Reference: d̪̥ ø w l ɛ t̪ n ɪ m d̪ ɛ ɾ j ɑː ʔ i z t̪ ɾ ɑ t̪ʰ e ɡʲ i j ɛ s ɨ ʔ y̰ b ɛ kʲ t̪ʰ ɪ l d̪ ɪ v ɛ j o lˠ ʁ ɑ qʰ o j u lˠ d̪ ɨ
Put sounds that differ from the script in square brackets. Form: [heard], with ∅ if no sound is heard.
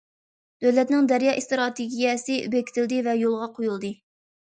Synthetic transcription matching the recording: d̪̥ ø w l ɛ t̪ n ɪ [ŋ] d̪ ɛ ɾ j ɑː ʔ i [s] t̪ ɾ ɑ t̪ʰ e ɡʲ i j ɛ s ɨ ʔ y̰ b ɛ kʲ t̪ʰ ɪ l d̪ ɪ v ɛ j o lˠ ʁ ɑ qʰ o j u lˠ d̪ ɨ